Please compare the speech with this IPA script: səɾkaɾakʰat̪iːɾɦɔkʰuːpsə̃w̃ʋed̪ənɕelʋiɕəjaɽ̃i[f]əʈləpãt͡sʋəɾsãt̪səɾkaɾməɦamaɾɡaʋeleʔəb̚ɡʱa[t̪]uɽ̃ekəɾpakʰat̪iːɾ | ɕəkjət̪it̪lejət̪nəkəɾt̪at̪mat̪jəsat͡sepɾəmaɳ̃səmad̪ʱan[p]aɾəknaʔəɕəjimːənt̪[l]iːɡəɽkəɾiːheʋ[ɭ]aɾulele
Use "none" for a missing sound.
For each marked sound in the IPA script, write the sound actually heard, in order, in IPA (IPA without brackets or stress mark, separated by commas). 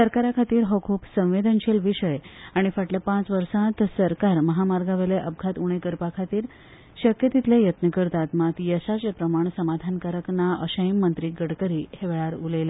f, t̪, k, ɾ, ɭ